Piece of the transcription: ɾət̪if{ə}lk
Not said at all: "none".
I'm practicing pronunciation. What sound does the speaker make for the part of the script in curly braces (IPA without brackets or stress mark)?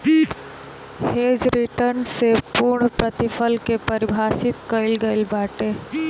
ə